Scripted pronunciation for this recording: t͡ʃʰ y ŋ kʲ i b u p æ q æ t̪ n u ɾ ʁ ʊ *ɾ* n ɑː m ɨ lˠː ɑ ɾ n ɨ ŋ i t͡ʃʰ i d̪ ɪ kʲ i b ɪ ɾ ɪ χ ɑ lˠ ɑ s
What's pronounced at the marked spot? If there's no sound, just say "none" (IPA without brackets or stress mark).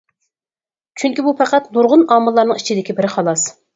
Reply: none